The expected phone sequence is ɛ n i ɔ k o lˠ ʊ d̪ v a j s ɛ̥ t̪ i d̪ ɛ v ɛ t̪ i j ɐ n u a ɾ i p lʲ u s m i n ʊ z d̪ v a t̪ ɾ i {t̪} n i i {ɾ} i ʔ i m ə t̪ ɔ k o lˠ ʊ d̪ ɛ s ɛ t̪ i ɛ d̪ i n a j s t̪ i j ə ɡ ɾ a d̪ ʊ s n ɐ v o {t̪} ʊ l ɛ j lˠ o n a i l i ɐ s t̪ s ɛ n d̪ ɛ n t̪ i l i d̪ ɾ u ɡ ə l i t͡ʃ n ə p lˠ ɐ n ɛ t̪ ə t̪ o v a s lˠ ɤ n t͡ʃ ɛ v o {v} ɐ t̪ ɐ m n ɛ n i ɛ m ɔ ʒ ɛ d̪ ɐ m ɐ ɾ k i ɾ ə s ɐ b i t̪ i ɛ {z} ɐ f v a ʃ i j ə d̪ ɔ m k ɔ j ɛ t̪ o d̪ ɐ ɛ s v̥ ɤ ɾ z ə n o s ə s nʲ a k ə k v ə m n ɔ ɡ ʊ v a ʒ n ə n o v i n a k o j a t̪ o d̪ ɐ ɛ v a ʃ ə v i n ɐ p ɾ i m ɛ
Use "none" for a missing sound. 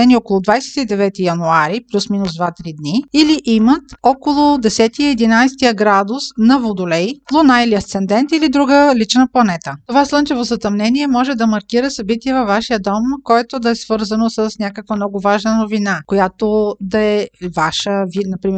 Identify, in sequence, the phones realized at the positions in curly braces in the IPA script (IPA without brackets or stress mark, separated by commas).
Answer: d̪, l, d̪, z, v